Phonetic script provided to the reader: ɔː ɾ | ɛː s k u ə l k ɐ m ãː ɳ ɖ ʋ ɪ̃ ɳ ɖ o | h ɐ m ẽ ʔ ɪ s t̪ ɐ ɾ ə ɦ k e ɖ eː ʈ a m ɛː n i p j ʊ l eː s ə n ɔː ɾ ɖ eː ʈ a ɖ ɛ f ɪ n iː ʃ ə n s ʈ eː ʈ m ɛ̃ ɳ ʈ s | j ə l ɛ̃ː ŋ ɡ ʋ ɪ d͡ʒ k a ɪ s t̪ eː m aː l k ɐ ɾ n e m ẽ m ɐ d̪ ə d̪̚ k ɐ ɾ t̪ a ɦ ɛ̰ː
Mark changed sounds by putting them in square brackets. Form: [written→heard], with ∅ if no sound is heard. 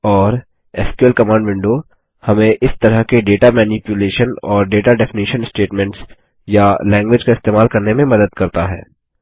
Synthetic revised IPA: ɔː ɾ | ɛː s k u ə l k ɐ m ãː ɳ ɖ ʋ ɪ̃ ɳ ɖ o | h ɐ m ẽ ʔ ɪ s t̪ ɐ ɾ ə ɦ k e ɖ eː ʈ a m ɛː n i p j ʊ l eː [s→ʃ] ə n ɔː ɾ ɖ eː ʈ a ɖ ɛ f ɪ n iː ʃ ə n s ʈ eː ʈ m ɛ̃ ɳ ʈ s | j [ə→a] l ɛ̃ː ŋ ɡ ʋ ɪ d͡ʒ k a ɪ s t̪ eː m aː l k ɐ ɾ n e m ẽ m ɐ d̪ ə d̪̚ k ɐ ɾ t̪ a ɦ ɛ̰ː